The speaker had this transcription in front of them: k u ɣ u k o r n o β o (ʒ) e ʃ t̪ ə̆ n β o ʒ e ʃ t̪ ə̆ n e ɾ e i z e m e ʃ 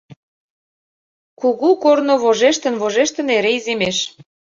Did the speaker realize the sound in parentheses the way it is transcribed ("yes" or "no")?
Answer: yes